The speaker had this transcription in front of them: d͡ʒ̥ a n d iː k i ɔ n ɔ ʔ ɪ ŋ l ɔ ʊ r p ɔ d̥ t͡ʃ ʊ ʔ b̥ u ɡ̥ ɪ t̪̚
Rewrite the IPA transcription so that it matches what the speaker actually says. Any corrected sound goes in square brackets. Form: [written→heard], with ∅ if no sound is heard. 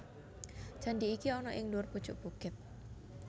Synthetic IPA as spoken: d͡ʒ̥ a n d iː k i ɔ n ɔ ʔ ɪ ŋ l [ɔ→u] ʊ r p [ɔ→u] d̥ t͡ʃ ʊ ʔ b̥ u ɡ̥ ɪ t̪̚

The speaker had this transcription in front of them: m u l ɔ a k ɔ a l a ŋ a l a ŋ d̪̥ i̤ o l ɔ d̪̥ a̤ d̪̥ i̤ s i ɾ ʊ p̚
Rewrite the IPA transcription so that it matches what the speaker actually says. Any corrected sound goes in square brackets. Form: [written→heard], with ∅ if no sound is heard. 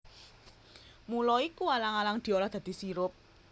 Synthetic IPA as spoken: m u l ɔ [a→i] k [ɔ→u] a l a ŋ a l a ŋ d̪̥ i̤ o l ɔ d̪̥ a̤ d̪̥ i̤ s i ɾ ʊ p̚

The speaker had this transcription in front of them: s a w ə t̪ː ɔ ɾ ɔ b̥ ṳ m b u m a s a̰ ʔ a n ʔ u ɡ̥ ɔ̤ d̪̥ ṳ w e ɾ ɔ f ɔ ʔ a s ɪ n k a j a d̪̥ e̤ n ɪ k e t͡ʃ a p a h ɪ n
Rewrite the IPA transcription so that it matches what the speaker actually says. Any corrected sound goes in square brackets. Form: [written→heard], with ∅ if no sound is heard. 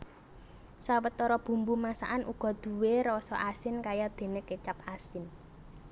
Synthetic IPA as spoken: s a w ə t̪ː ɔ ɾ ɔ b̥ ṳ m b u m a s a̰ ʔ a n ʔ u ɡ̥ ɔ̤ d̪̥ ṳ w e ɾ ɔ [f→s] ɔ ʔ a s ɪ n k a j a d̪̥ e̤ n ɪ k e t͡ʃ a p a [h→s] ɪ n

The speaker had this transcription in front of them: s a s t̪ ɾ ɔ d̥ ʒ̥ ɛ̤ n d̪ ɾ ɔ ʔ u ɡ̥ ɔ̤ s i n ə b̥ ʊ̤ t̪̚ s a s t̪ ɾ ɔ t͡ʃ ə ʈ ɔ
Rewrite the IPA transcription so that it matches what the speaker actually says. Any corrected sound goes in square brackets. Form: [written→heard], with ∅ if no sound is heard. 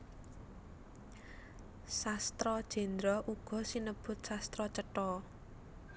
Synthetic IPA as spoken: s a s t̪ ɾ ɔ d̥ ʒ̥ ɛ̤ n d̪ ɾ ɔ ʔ u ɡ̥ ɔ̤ s i n ə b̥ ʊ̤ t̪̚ s a s t̪ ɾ ɔ t͡ʃ ə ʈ ɔ

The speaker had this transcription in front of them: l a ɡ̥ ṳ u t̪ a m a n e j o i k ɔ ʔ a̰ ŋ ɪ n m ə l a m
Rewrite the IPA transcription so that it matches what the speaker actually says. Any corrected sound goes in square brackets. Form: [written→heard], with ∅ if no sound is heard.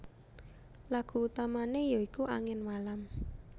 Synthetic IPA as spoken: l a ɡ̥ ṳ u t̪ a m a n e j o i k [ɔ→u] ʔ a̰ ŋ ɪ n m [ə→a] l a m

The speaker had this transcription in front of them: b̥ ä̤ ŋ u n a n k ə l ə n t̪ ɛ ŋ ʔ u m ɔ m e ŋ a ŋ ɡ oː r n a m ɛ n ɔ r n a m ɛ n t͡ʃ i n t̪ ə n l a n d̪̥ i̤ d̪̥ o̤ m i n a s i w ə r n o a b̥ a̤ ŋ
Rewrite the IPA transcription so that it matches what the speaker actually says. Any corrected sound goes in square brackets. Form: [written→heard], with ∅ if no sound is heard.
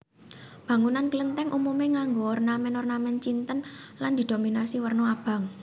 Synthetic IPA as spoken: b̥ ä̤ ŋ u n a n k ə l ə n t̪ ɛ ŋ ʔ u m [ɔ→u] m e ŋ a ŋ ɡ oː r n a m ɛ n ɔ r n a m ɛ n t͡ʃ i n t̪ ə n l a n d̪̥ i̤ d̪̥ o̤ m i n a s i w ə r n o a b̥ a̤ ŋ

